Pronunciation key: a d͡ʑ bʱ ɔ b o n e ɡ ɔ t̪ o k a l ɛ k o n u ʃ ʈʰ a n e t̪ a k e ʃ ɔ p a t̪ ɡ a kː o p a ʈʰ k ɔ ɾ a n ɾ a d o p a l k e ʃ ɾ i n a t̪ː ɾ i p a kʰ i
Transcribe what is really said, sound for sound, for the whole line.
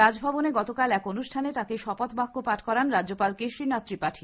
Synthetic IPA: a d͡ʑ bʱ ɔ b o n e ɡ ɔ t̪ o k a l ɛ k o n u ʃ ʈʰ a n e t̪ a k e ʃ ɔ p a t̪ b a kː o p a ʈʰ k ɔ ɾ a n ɾ a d o p a l k e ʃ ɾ i n a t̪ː ɾ i p a ʈʰ i